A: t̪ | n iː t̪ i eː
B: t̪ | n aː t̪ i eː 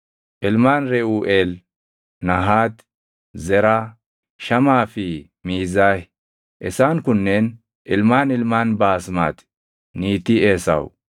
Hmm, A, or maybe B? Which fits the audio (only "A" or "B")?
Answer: A